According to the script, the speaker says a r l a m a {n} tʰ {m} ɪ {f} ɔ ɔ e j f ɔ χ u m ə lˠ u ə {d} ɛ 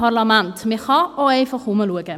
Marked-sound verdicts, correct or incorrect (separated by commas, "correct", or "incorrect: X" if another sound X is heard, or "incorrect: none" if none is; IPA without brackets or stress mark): correct, correct, incorrect: χ, incorrect: ɡ